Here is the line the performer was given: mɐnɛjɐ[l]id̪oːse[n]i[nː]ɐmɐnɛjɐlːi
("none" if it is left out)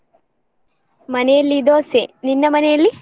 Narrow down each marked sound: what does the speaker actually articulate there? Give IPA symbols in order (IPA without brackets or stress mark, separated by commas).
lː, n, nː